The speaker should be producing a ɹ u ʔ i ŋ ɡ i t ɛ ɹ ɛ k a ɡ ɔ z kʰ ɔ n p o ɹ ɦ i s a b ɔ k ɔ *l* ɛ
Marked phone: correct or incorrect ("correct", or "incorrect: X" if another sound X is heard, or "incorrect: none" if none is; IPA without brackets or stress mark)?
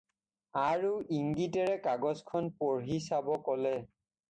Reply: correct